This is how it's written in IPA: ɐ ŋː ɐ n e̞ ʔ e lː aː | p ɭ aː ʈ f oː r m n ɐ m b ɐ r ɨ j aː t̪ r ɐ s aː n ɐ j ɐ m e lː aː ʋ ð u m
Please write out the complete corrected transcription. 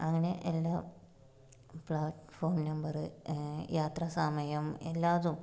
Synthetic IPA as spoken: ɐ ŋː ɐ n e̞ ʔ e lː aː | p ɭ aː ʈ f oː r m n ɐ m b ɐ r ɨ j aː t̪ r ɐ s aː m ɐ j ɐ m e lː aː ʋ ð u m